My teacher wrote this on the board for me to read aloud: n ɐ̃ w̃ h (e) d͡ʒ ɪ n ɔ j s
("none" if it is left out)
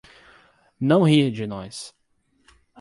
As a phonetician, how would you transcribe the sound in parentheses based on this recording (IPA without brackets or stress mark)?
i